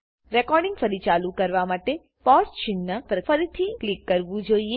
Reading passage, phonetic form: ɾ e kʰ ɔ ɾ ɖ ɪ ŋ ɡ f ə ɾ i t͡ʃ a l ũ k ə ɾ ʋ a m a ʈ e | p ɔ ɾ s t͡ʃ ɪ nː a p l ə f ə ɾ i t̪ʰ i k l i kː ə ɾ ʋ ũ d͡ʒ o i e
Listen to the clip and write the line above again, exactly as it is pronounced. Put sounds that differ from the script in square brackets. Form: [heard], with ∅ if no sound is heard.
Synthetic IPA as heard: ɾ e [k] ɔ ɾ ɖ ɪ ŋ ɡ f ə ɾ i t͡ʃ a l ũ k ə ɾ ʋ a m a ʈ e | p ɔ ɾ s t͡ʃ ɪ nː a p [ɾ] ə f ə ɾ i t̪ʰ i k l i kː ə ɾ ʋ ũ d͡ʒ o i e